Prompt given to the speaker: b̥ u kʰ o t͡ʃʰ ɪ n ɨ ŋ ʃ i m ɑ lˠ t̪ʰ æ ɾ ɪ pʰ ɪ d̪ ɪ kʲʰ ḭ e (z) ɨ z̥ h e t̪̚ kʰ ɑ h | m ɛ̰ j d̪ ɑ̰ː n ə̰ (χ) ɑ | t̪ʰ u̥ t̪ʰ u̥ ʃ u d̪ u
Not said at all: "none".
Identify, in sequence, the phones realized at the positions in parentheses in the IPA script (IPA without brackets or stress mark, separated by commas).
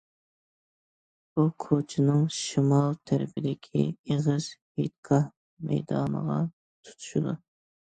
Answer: ʁ, ʁ